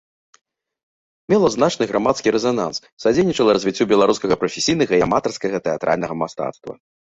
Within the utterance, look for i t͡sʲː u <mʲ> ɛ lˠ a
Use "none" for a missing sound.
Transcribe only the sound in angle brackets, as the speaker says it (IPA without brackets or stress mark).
bʲ